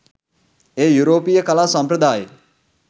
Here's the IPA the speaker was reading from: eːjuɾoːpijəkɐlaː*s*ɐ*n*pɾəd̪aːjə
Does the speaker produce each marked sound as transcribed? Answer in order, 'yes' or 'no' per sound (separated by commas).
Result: yes, no